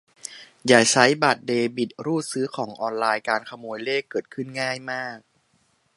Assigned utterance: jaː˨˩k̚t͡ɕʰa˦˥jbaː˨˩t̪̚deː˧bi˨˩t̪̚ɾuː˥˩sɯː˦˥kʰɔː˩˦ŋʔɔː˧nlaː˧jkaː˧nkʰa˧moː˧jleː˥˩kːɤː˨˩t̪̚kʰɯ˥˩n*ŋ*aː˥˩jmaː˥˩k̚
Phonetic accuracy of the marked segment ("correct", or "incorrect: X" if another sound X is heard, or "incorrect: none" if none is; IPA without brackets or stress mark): correct